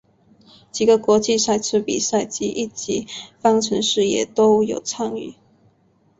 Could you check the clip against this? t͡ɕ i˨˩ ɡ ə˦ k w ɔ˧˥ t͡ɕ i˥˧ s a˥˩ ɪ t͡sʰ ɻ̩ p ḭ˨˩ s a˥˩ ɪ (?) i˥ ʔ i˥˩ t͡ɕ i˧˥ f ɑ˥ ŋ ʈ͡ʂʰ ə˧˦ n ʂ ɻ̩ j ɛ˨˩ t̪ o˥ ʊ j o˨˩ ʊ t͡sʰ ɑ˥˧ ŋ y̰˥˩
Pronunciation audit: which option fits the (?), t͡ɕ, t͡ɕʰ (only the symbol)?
t͡ɕ